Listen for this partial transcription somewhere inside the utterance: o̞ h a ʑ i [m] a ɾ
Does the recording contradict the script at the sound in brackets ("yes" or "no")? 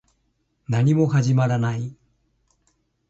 no